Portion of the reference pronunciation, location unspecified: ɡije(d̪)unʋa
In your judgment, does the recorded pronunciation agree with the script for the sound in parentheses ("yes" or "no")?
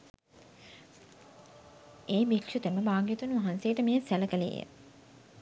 no